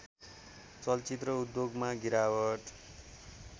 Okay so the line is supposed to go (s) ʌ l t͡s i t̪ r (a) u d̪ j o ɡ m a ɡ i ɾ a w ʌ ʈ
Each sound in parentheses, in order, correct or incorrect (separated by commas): incorrect, incorrect